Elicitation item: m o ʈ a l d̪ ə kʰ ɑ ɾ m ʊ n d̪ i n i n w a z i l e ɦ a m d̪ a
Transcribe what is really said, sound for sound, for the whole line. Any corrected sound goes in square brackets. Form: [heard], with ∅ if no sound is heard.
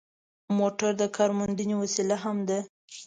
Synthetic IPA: m o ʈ a [ɾ] d̪ ə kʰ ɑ ɾ m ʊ n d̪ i n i [∅] w a [s] i l [a] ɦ a m d̪ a